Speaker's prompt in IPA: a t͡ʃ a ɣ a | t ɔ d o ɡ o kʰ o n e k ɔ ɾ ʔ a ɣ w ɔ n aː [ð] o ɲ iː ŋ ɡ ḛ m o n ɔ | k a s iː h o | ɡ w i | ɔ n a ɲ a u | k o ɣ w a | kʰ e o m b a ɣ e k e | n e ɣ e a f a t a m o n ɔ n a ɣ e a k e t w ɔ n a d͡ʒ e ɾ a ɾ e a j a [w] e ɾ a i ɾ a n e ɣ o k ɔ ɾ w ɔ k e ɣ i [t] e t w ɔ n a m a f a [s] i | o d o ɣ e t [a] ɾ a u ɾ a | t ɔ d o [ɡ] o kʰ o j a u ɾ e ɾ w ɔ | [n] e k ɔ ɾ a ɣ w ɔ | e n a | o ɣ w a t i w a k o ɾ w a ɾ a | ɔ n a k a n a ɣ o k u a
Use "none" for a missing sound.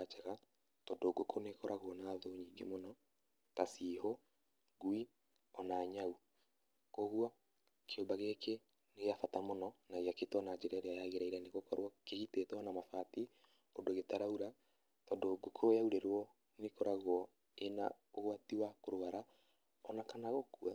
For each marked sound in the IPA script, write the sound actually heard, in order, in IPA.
ð, ɣ, t, t, a, ɡ, n

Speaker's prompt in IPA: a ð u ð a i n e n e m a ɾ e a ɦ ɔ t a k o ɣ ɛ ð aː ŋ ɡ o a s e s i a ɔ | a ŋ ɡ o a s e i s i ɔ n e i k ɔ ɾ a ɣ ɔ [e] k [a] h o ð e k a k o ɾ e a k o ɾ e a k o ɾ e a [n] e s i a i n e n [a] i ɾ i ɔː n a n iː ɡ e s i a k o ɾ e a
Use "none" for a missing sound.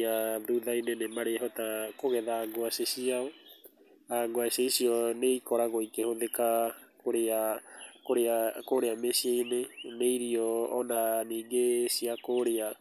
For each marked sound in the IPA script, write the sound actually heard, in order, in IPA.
i, e, m, e

